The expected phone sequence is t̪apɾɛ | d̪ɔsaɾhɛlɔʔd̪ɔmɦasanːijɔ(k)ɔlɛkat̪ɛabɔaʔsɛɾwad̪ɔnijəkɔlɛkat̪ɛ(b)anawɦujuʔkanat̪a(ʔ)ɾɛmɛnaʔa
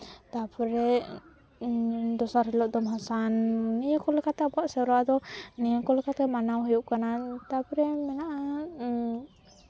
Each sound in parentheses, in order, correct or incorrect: correct, incorrect: m, incorrect: p

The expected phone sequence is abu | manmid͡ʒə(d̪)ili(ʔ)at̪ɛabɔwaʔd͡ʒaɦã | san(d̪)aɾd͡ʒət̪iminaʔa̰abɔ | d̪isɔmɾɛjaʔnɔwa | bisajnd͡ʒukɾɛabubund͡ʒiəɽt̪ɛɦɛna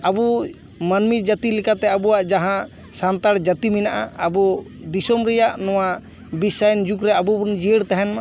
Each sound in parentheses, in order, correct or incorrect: incorrect: t̪, incorrect: k, incorrect: t̪

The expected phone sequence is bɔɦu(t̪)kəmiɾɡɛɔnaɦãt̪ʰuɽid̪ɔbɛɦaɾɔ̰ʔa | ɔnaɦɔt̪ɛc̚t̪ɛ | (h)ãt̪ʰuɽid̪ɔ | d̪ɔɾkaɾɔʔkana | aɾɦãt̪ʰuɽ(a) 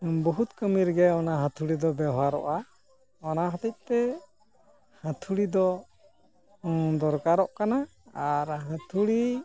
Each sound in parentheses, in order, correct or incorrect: correct, correct, incorrect: i

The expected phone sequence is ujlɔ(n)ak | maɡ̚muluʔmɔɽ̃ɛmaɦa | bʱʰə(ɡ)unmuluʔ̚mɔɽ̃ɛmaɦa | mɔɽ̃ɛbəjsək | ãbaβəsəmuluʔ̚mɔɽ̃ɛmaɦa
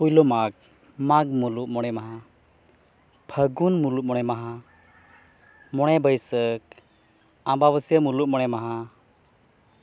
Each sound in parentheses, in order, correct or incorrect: incorrect: m, correct

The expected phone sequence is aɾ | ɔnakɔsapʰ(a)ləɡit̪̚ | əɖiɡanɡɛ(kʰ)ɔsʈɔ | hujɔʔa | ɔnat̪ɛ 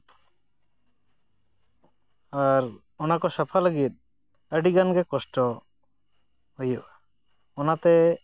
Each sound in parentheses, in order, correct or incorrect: correct, incorrect: k

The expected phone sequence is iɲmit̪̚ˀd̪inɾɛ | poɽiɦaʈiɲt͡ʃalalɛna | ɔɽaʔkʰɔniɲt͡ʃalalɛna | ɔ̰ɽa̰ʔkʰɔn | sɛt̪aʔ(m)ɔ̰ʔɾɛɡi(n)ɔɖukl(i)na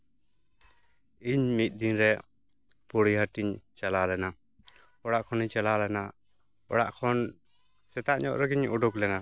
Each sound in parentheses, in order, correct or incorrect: incorrect: ɲ, incorrect: ɲ, incorrect: ɛ

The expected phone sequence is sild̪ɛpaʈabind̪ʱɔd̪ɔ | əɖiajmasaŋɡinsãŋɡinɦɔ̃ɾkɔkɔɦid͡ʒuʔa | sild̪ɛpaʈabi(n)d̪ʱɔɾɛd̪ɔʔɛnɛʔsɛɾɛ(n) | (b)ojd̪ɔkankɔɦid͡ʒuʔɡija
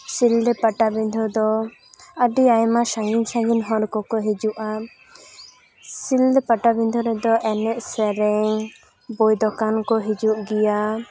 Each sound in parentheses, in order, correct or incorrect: correct, incorrect: ŋ, correct

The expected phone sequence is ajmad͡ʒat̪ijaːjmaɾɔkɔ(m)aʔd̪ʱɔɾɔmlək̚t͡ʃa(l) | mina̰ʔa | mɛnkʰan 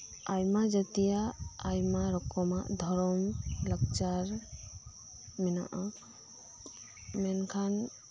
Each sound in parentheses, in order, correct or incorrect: correct, incorrect: ɾ

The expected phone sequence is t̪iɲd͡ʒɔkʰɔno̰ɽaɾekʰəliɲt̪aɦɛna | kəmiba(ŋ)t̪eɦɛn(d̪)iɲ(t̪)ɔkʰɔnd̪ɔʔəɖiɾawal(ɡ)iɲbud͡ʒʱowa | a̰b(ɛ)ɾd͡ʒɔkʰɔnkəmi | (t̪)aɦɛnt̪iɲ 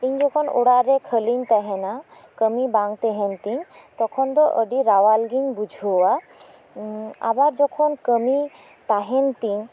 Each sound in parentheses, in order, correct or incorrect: correct, incorrect: t̪, correct, correct, incorrect: a, correct

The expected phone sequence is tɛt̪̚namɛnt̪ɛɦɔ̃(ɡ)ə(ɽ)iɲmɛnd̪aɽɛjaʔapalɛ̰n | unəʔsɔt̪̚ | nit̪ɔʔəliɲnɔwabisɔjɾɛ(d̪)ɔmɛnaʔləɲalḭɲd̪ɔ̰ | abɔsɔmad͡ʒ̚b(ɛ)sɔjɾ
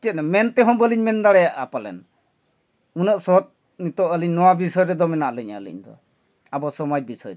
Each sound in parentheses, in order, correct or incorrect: incorrect: b, incorrect: l, correct, incorrect: i

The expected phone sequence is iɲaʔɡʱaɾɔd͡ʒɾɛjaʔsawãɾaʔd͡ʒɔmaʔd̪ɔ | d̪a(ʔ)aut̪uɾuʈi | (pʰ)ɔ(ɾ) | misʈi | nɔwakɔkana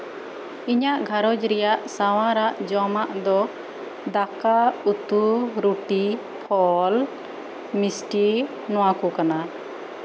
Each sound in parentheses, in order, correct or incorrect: incorrect: k, correct, incorrect: l

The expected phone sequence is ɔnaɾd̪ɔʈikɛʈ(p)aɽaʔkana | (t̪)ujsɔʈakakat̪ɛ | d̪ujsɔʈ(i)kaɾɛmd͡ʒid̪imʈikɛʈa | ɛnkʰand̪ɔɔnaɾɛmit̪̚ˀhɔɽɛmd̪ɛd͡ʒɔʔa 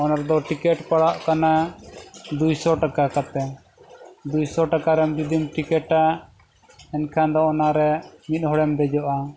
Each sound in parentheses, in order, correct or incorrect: correct, incorrect: d̪, incorrect: a

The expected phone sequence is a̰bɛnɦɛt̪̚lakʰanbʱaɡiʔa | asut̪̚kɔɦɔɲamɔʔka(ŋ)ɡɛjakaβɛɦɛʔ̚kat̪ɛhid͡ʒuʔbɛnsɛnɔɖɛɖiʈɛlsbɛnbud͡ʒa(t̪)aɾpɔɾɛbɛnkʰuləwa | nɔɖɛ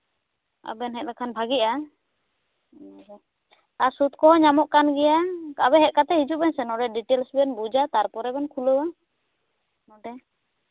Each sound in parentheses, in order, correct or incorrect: incorrect: n, correct

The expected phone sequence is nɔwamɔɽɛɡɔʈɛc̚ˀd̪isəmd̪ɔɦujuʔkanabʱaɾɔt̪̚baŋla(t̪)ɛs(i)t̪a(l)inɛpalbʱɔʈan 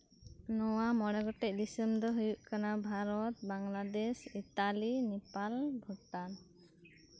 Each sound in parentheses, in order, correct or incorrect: incorrect: d̪, correct, correct

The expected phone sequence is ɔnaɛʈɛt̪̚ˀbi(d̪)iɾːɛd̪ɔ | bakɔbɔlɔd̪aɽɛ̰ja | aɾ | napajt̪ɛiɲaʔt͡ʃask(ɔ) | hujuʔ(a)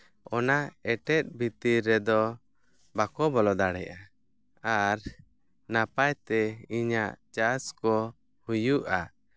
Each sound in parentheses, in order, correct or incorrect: incorrect: t̪, correct, correct

